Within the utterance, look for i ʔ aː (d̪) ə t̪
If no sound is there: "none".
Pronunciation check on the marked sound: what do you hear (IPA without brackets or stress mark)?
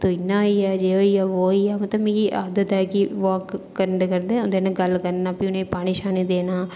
d̪